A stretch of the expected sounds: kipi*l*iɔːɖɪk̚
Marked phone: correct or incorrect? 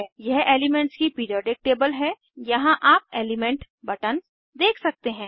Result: incorrect: ɾ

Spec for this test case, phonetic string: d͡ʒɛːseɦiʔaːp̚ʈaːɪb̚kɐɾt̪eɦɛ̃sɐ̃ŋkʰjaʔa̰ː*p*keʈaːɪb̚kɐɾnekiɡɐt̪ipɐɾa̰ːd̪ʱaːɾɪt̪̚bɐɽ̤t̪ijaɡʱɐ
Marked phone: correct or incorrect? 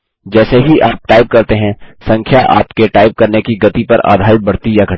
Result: correct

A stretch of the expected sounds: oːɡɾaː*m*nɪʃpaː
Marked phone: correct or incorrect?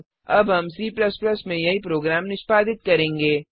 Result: correct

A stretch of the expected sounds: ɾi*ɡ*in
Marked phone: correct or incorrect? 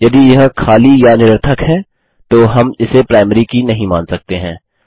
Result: incorrect: k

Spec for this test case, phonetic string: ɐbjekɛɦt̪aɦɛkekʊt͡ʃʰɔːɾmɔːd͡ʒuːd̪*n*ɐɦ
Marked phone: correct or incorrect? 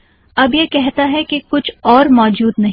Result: correct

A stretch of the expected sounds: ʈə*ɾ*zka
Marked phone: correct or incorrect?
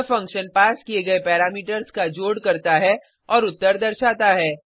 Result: correct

